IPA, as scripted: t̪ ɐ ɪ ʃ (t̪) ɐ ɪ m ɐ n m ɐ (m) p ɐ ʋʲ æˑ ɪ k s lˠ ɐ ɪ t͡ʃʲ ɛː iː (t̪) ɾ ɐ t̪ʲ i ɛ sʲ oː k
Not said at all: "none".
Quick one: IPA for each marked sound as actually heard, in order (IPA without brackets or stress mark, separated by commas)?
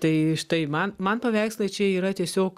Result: t̪, n, none